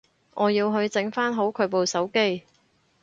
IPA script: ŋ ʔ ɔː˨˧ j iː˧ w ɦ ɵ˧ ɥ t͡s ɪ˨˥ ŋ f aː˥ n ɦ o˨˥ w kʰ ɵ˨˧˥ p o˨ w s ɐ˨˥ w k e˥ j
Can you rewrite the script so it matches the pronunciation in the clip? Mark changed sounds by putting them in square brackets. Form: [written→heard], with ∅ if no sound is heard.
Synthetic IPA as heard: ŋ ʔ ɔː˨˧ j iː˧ w ɦ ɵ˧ ɥ t͡s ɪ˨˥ ŋ f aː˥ n ɦ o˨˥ w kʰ ɵ˨˧˥ p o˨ w s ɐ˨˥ w k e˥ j